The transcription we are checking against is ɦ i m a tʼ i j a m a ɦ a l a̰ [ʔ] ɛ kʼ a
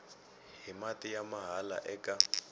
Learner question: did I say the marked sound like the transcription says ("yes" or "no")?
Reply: yes